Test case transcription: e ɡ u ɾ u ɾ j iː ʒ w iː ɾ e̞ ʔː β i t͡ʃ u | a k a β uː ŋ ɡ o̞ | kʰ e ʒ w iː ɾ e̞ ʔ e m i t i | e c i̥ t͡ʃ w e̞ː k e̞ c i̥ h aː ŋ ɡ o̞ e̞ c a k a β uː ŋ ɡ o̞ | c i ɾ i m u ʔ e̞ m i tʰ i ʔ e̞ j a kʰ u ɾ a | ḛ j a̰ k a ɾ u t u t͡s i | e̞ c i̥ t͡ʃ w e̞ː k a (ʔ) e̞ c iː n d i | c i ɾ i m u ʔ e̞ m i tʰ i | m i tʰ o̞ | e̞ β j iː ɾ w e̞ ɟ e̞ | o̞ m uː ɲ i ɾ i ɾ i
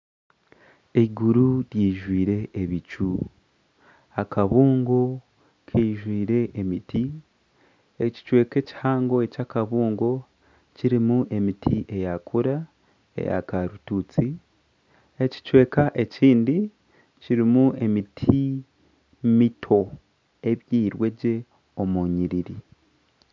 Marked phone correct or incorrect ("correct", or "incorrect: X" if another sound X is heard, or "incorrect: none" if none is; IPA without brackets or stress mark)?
correct